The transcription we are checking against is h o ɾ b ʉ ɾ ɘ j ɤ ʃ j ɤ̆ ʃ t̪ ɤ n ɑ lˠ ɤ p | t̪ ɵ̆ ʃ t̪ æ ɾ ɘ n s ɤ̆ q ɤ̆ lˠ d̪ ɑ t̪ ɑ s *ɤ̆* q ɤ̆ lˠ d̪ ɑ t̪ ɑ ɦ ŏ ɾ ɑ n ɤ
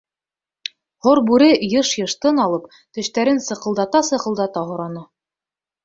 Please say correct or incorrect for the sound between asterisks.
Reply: correct